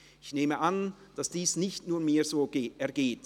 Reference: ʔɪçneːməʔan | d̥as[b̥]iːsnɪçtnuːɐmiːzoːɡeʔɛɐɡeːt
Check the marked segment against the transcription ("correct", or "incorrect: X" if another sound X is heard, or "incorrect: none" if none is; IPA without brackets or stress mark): incorrect: d̥